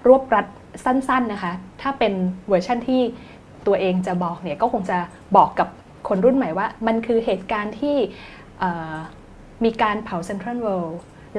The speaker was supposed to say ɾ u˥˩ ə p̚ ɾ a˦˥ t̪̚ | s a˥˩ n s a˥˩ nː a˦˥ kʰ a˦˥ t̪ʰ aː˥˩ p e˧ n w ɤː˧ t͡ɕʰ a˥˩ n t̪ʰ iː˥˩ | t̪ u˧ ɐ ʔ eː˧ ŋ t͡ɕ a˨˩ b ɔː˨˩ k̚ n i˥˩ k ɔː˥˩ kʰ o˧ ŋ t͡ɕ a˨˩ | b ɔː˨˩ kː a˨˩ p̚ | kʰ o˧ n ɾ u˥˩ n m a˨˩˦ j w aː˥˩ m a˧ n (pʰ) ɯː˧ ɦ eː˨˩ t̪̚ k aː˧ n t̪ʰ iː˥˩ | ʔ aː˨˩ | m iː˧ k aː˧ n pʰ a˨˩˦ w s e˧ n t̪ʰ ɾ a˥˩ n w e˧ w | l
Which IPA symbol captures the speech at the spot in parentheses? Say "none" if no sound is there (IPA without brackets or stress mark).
kʰ